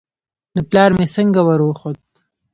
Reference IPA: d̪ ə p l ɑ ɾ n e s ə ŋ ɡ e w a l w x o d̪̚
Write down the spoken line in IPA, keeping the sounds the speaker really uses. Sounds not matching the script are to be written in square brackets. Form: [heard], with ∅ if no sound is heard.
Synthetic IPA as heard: d̪ ə p l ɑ ɾ [m] e s ə ŋ ɡ [a] w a [ɾ] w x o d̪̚